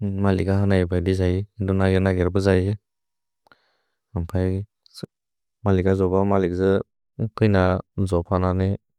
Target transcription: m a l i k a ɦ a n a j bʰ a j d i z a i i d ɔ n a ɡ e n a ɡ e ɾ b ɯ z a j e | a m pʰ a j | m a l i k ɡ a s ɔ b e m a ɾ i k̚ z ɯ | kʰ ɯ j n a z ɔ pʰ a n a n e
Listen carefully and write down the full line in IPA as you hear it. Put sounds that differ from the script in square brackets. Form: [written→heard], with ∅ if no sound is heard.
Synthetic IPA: m a l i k a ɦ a n a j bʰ a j d i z a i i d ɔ n a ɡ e n a ɡ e ɾ b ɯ z a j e | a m pʰ a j | m a l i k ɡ a [s→z] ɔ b [e→a] m a [ɾ→l] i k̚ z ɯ | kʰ ɯ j n a z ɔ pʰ a n a n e